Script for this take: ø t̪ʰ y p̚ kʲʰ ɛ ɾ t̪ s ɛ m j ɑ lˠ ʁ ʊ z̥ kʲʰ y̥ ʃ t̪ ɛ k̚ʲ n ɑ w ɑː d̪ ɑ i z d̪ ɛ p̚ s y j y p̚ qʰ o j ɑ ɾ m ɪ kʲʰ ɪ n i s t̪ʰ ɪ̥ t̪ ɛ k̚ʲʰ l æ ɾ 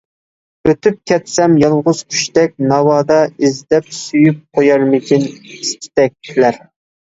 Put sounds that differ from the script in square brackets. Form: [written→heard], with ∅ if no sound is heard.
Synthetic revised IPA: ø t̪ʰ y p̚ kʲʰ ɛ [ɾ→∅] t̪ s ɛ m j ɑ lˠ ʁ ʊ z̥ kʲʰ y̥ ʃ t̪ ɛ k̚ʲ n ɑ w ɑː d̪ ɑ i z d̪ ɛ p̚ s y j y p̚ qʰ o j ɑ ɾ m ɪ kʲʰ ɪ n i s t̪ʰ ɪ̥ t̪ ɛ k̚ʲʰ l æ ɾ